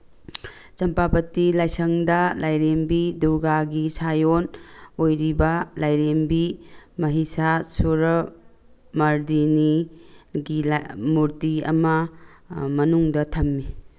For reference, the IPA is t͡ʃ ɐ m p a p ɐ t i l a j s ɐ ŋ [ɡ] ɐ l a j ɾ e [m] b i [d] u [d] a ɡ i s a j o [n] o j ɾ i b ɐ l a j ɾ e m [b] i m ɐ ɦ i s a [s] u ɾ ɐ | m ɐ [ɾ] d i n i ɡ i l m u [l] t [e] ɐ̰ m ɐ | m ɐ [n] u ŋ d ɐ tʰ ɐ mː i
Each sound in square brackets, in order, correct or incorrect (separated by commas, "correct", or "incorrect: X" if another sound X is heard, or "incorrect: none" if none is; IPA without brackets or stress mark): incorrect: d, correct, correct, incorrect: ɡ, correct, correct, correct, correct, incorrect: ɾ, incorrect: i, correct